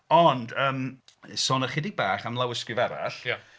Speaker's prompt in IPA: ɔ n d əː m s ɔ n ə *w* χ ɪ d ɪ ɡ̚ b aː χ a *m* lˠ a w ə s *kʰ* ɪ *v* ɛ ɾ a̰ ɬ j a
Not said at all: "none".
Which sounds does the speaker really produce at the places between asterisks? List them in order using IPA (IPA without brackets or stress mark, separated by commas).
none, m, k, v